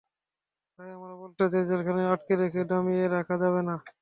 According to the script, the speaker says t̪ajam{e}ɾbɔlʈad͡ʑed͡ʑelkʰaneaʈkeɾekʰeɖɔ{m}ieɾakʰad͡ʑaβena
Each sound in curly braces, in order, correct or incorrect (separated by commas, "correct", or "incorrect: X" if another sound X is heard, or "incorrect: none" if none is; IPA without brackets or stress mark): incorrect: a, correct